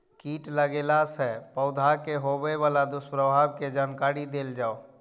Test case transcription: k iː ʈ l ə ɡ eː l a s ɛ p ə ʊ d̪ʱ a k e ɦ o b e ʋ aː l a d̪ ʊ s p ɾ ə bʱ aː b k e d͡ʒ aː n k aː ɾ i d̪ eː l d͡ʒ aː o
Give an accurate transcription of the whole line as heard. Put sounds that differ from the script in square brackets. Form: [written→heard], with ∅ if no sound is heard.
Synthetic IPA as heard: k iː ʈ l ə ɡ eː l a s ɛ p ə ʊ d̪ʱ a k e ɦ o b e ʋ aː l a d̪ ʊ s p ɾ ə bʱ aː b k e d͡ʒ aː n k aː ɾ i d̪ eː l d͡ʒ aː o